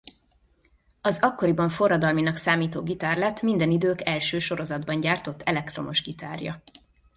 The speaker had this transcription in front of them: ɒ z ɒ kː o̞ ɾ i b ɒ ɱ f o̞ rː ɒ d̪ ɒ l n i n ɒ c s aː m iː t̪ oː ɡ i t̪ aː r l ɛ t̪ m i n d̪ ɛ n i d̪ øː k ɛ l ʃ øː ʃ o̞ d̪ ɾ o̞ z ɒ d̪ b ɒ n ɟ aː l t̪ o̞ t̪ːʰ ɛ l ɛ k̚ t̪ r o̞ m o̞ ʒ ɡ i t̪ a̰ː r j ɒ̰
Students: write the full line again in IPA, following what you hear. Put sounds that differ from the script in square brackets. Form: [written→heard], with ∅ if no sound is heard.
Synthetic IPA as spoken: ɒ z ɒ kː o̞ ɾ i b ɒ ɱ f o̞ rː ɒ d̪ ɒ l [n→m] i n ɒ [c→k] s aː m iː t̪ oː ɡ i t̪ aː r l ɛ t̪ m i n d̪ ɛ n i d̪ øː k ɛ l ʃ øː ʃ o̞ [d̪→∅] ɾ o̞ z ɒ d̪ b ɒ [n→ɲ] ɟ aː [l→r] t̪ o̞ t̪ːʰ ɛ l ɛ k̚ t̪ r o̞ m o̞ ʒ ɡ i t̪ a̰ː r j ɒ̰